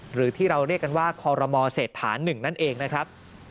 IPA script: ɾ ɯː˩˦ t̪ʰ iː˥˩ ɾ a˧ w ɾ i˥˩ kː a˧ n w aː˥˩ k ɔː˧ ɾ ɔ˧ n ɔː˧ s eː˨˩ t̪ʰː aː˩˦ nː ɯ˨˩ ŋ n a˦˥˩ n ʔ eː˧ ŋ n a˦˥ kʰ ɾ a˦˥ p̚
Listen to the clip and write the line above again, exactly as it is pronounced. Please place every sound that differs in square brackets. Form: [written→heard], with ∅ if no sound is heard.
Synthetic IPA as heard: ɾ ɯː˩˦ t̪ʰ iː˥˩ ɾ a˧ w ɾ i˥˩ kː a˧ n w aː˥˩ [k→kʰ] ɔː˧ ɾ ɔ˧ [n→m] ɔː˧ s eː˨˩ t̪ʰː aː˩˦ nː ɯ˨˩ ŋ n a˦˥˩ n ʔ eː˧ ŋ n a˦˥ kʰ ɾ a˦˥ p̚